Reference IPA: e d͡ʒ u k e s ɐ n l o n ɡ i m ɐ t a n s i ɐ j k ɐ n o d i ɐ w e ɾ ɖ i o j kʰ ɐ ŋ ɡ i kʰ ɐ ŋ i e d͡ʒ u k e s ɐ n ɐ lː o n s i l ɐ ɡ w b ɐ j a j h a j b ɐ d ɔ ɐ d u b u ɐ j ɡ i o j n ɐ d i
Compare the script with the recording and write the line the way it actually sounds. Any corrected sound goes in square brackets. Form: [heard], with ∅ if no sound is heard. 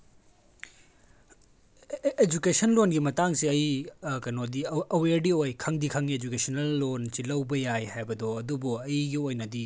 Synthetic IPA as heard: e d͡ʒ u k e s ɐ n l o n ɡ i m ɐ t a [ŋ] s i ɐ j k ɐ n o d i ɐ w e ɾ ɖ i o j kʰ ɐ ŋ [d] i kʰ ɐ ŋ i e d͡ʒ u k e s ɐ n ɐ lː o n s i l ɐ [∅] w b ɐ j a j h a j b ɐ d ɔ ɐ d u b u ɐ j ɡ i o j n ɐ d i

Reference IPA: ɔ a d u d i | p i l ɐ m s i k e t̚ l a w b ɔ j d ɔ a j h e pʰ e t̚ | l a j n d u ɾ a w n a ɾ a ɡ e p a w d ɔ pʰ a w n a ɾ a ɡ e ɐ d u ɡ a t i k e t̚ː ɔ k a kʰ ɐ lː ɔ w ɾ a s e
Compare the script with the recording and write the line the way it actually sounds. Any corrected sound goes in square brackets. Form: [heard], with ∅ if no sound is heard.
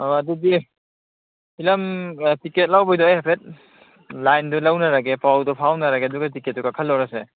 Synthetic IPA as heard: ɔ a d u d i | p i l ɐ m [t] i k e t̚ l a w b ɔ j d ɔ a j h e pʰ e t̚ | l a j n d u [l] a w n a ɾ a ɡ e p a w d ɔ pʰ a w n a ɾ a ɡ e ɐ d u ɡ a t i k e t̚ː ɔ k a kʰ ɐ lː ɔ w ɾ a s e

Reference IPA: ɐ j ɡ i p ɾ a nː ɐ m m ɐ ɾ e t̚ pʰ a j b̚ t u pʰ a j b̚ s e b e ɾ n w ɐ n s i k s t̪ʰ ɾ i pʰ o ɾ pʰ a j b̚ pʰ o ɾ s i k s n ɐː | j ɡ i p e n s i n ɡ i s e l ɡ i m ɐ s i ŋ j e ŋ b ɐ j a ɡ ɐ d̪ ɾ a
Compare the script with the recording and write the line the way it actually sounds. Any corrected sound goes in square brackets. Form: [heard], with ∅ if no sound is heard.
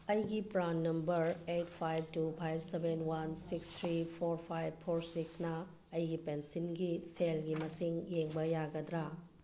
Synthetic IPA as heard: ɐ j ɡ i p ɾ a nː ɐ m [b] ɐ ɾ e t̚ pʰ a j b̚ t u pʰ a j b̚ s e b e [∅] n w [a] n s i k s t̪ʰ ɾ i pʰ o ɾ pʰ a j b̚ pʰ o ɾ s i k s n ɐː | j ɡ i p e n s i n ɡ i s e l ɡ i m ɐ s i ŋ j e ŋ b ɐ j a ɡ ɐ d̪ ɾ a

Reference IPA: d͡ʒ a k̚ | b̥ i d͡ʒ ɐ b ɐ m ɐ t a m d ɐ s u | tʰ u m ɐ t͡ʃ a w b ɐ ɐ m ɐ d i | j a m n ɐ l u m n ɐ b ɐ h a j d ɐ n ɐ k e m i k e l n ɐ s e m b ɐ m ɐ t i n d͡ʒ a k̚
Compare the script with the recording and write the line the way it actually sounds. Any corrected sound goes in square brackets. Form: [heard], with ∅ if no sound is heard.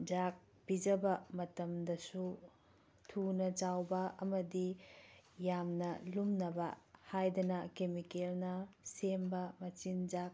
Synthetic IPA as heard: d͡ʒ a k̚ | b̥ i d͡ʒ ɐ b ɐ m ɐ t [ɐ] m d ɐ s u | tʰ u [n] ɐ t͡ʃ a w b ɐ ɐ m ɐ d i | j a m n ɐ l u m n ɐ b ɐ h a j d ɐ n ɐ k e m i k e l n ɐ s e m b ɐ m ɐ [t͡ʃ] i n d͡ʒ a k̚

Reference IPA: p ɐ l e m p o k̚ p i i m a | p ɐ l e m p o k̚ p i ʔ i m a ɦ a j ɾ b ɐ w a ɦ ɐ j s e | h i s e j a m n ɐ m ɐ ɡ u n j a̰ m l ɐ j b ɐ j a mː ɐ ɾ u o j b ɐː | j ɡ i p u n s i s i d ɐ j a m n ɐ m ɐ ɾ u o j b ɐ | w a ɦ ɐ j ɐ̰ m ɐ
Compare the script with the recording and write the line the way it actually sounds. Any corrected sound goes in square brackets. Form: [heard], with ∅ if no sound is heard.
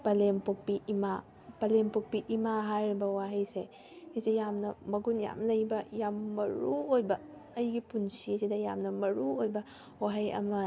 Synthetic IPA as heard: p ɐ l e m p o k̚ p i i m a | p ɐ l e m p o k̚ p i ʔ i m a ɦ a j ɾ b ɐ w a ɦ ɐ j s e | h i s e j a m n ɐ m ɐ ɡ u n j a̰ m l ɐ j b ɐ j a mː ɐ ɾ u o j b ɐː | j ɡ i p u n s i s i d ɐ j a m n ɐ m ɐ ɾ u o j b ɐ | w a ɦ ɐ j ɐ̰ m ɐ

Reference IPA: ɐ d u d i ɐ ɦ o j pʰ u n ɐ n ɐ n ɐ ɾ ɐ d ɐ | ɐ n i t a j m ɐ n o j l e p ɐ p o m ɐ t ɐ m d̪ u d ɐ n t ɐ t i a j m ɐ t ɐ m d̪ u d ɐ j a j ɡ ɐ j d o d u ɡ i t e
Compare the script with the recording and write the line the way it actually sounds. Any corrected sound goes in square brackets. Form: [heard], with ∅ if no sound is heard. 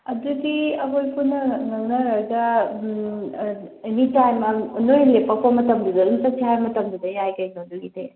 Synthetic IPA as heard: ɐ d u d i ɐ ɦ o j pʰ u n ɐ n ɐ n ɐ ɾ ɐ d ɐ | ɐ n i t a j m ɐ n o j l e p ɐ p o m ɐ t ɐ m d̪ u d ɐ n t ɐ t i a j m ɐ t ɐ m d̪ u d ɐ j a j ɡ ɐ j [n] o d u ɡ i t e

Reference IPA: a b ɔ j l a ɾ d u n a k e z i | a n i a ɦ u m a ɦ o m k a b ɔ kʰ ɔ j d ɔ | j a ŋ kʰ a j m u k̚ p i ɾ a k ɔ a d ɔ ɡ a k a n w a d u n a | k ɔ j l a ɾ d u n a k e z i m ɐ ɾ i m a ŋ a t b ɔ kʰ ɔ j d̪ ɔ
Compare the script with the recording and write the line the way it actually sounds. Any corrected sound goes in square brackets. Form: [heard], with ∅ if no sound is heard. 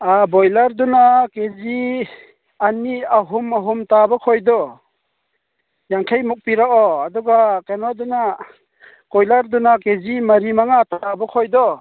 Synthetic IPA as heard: a b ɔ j l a ɾ d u n a k e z i | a n i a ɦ u m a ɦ [u] m [t] a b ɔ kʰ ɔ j d ɔ | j a ŋ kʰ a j m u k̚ p i ɾ a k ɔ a d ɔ ɡ a k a n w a d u n a | k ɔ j l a ɾ d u n a k e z i m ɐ ɾ i m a ŋ a t b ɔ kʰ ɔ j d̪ ɔ

